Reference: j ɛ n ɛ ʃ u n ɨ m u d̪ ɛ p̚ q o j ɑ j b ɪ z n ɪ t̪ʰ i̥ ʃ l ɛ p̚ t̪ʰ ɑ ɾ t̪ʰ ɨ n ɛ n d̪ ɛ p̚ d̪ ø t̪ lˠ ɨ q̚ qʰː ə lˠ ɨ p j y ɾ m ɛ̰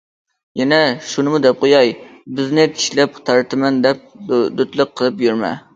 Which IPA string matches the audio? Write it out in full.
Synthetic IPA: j ɛ n ɛ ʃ u n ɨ m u d̪ ɛ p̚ q o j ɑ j b ɪ z n ɪ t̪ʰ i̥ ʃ l ɛ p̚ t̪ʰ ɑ ɾ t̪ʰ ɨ m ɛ n d̪ ɛ p̚ d̪ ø t̪ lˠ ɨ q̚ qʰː ə lˠ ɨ p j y ɾ m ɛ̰